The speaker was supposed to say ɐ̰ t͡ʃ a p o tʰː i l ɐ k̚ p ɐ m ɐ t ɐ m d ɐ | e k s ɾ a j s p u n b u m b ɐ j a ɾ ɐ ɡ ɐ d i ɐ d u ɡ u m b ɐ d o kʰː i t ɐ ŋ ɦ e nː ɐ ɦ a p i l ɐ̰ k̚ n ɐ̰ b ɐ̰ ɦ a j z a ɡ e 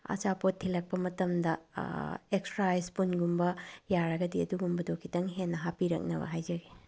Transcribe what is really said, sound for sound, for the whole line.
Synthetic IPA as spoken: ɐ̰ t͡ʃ a p o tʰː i l ɐ k̚ p ɐ m ɐ t ɐ m d ɐ | e k s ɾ a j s p u n ɡ u m b ɐ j a ɾ ɐ ɡ ɐ d i ɐ d u ɡ u m b ɐ d o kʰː i t ɐ ŋ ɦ e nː ɐ ɦ a p i ɾ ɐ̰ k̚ n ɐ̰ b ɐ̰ ɦ a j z ɐ ɡ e